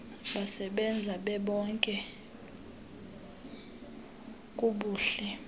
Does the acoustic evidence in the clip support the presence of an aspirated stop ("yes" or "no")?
no